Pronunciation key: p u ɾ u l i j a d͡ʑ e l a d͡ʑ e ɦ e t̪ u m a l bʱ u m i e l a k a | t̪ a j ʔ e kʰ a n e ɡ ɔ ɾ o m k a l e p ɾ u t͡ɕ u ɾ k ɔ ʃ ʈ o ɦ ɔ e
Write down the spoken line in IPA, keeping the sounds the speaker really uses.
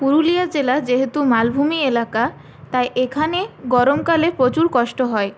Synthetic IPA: p u ɾ u l i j a d͡ʑ e l a d͡ʑ e ɦ e t̪ u m a l bʱ u m i e l a k a | t̪ a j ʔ e kʰ a n e ɡ ɔ ɾ o m k a l e p ɾ o t͡ɕ u ɾ k ɔ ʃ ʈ o ɦ ɔ e